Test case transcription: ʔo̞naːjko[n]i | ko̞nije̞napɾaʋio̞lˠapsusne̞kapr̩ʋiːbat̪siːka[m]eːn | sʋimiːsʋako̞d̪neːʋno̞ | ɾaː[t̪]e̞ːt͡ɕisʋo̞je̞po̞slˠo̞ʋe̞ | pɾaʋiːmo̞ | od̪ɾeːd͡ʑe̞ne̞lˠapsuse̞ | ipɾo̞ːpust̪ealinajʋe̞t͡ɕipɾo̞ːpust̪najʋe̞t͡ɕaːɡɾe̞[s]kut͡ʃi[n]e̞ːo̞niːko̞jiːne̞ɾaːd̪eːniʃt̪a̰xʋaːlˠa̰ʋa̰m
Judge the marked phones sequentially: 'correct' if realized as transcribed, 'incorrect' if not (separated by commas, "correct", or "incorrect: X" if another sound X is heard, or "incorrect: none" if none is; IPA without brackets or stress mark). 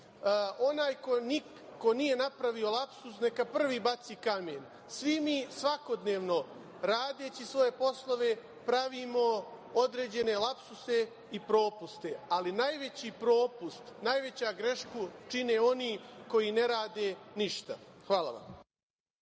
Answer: correct, correct, incorrect: d̪, incorrect: ʃ, correct